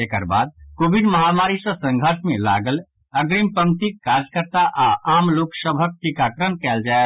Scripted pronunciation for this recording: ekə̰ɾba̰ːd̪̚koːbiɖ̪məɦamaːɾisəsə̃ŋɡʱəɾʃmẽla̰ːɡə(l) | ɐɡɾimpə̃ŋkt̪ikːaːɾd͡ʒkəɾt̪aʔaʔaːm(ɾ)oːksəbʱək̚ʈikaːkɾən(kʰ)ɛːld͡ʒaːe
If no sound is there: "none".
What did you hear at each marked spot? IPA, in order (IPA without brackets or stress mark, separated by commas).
l, l, k